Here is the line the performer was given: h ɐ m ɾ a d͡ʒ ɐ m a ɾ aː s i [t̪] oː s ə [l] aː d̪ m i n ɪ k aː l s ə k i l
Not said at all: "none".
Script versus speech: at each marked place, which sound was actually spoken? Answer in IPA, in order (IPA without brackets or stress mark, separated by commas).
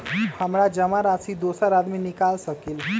d̪, ɾ